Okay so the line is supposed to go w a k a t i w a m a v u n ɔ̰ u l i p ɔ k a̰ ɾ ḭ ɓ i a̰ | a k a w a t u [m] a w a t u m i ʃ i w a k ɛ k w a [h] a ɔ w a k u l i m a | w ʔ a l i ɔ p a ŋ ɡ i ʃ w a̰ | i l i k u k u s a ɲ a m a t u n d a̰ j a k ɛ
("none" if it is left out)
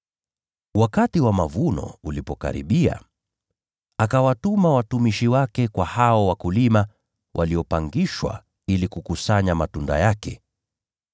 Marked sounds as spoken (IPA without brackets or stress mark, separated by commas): m, h